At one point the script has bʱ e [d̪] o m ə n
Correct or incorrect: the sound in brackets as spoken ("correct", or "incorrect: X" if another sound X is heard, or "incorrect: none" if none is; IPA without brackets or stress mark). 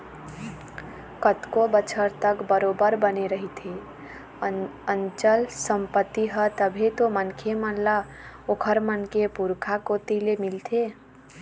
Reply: incorrect: t̪